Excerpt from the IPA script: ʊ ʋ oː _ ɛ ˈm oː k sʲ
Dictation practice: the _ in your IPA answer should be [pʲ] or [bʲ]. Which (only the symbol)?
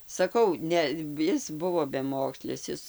bʲ